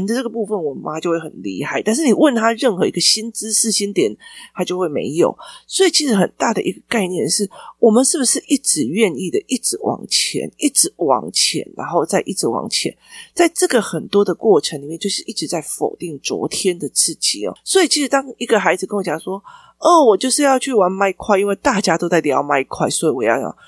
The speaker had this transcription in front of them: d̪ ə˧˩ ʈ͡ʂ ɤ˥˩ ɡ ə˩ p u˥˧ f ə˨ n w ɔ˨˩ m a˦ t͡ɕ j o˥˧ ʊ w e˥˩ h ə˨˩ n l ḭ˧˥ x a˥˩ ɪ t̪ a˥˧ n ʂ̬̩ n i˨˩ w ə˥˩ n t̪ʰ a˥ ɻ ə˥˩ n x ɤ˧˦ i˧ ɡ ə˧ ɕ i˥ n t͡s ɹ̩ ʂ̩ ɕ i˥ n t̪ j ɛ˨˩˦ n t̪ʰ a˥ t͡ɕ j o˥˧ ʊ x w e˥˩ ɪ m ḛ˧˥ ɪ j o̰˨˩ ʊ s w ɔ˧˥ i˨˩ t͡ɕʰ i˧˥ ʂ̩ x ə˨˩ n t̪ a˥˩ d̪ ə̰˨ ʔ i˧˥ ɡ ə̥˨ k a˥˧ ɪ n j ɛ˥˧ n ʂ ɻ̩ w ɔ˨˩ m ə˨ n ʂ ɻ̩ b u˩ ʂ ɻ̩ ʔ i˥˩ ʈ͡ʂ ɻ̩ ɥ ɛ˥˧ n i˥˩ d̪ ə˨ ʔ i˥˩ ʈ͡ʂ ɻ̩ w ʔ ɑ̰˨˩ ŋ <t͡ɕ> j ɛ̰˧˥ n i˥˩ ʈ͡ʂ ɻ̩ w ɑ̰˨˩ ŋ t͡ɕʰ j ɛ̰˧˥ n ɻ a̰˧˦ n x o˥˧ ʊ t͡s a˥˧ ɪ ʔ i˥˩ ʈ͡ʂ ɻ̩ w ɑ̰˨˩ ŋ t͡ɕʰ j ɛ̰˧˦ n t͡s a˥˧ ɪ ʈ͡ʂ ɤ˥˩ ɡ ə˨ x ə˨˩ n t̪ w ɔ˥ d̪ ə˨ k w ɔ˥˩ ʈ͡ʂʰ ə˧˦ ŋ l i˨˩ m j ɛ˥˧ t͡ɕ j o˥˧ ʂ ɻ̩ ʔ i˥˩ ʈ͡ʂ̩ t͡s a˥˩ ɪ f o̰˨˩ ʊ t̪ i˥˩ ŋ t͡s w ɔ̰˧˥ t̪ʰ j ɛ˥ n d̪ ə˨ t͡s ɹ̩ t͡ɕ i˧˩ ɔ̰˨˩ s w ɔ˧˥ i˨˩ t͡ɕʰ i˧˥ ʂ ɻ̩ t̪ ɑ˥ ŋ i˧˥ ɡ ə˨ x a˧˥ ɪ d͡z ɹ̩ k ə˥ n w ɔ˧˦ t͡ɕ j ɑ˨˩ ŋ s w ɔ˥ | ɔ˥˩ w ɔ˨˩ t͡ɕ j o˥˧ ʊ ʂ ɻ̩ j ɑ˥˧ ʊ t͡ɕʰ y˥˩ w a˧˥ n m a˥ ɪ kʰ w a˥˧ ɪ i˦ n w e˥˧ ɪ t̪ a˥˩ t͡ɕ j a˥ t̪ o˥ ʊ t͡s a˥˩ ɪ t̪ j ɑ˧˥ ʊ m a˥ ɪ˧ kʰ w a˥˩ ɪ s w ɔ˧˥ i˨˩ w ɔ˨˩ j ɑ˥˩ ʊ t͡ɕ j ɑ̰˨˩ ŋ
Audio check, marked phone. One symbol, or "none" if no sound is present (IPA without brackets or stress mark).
t͡ɕʰ